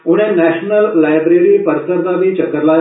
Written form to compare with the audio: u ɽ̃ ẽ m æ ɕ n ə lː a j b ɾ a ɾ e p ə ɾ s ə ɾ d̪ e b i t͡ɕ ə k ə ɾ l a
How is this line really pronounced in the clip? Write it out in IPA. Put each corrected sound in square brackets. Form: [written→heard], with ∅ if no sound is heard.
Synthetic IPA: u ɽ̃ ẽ [m→n] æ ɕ n ə lː a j b ɾ [a→e] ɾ [e→i] p ə ɾ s ə ɾ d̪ [e→a] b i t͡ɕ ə k ə ɾ l a